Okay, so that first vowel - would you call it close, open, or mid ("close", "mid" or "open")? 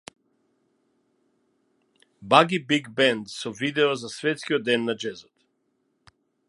open